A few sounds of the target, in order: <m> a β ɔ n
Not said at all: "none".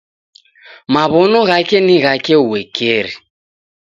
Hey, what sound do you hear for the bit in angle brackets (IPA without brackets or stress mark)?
m